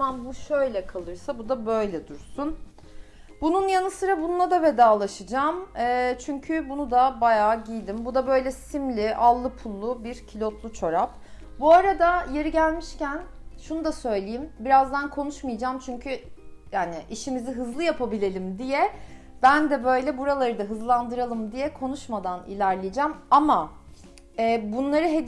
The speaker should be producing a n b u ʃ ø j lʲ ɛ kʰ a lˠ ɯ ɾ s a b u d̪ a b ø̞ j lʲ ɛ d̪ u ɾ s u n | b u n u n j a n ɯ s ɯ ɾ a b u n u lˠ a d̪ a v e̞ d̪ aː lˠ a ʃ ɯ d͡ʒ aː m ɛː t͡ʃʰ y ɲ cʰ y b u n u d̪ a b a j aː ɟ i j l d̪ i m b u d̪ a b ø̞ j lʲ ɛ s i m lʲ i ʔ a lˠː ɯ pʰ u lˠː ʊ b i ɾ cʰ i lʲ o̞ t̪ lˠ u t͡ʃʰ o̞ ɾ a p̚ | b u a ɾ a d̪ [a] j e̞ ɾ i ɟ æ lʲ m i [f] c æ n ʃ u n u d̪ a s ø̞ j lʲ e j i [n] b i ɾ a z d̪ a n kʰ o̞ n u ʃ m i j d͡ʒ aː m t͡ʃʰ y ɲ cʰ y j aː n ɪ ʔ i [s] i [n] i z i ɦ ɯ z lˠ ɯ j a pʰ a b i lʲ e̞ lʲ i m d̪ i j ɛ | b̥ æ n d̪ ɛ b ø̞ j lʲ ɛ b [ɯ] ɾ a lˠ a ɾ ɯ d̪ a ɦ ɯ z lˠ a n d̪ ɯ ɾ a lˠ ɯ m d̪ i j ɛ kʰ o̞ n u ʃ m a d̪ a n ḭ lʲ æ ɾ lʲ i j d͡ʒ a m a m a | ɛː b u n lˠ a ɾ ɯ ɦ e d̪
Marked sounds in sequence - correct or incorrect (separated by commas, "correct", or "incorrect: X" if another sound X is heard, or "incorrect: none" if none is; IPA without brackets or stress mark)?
correct, incorrect: ʃ, incorrect: m, incorrect: ʃ, incorrect: m, incorrect: u